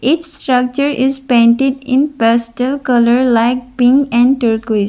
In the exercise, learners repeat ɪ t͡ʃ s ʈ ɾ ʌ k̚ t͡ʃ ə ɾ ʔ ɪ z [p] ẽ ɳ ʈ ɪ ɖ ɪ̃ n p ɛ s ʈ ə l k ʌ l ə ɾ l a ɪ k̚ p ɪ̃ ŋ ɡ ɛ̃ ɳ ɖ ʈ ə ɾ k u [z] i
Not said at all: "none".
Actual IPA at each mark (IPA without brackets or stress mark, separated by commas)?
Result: p, none